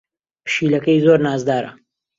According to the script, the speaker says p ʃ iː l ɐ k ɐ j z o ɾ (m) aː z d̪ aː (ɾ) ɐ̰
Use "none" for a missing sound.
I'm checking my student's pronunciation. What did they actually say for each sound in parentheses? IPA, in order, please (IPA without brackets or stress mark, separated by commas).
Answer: n, ɾ